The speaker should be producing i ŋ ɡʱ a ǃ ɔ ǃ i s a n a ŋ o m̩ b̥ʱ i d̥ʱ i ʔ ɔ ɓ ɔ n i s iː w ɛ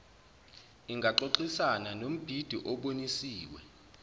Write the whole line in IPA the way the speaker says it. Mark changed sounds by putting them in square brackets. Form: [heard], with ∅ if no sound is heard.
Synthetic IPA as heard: i ŋ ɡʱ a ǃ [o] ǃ i s a n a [n] o m̩ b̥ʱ i d̥ʱ i ʔ ɔ ɓ [o] n i s iː w ɛ